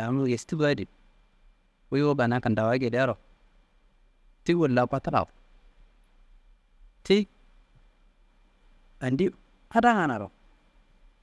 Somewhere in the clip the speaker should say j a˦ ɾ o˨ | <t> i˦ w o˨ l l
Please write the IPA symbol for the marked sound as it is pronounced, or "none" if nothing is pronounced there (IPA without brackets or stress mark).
t